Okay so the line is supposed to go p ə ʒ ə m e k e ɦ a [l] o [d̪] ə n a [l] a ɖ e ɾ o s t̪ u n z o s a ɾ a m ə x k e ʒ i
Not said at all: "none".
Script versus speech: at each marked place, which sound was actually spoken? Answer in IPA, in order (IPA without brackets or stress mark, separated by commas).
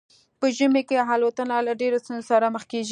l, t̪, l